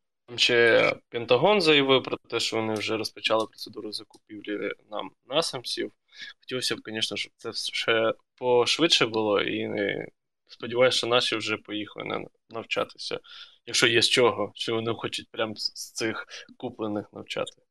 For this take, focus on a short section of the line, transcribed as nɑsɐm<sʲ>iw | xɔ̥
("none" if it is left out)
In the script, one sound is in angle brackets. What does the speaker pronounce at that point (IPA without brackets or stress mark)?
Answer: sʲ